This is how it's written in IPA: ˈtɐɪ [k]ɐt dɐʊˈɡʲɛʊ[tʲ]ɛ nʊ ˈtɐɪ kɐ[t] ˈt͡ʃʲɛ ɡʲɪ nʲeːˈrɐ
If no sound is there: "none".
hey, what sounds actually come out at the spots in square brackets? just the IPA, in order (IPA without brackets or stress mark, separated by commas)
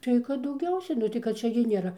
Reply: k, sʲ, t